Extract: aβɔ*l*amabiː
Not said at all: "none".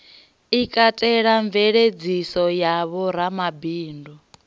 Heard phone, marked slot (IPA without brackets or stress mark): ɾ